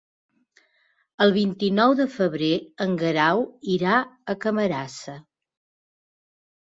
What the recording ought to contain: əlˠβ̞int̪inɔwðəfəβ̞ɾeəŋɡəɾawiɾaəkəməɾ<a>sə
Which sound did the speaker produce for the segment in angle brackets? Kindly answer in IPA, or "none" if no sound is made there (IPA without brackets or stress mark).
a